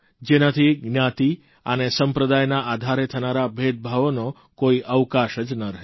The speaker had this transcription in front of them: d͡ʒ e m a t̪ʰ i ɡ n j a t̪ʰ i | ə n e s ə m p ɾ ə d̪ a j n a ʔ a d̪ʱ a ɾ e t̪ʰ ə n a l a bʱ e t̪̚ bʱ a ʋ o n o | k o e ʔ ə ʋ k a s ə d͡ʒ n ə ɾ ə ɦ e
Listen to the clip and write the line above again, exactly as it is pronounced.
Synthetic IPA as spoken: d͡ʒ e n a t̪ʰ i ɡ n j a t̪ i | ə n e s ə m p ɾ ə d̪ a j n a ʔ a d̪ʱ a ɾ e t̪ʰ ə n a ɾ a bʱ e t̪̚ bʱ a ʋ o n o | k o i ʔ ə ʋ k a ʃ ə d͡ʒ n ə ɾ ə ɦ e